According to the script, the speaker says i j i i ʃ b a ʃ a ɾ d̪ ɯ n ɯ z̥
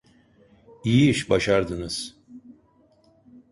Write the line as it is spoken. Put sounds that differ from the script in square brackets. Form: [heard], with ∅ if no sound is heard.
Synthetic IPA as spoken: i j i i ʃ b a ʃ a ɾ d̪ ɯ n ɯ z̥